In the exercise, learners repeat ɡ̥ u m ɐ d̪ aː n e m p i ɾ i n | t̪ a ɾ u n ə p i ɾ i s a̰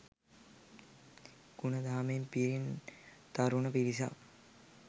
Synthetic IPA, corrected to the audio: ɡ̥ u n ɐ d̪ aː m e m p i ɾ i n | t̪ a ɾ u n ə p i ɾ i s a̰